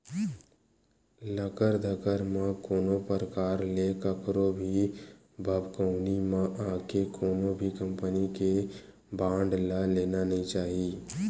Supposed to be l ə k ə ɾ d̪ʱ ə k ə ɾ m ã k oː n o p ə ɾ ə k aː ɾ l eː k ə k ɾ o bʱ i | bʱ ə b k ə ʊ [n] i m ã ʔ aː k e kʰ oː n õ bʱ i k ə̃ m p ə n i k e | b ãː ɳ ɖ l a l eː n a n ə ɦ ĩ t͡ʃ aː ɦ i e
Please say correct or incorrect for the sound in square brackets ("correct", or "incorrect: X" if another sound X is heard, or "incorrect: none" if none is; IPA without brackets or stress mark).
correct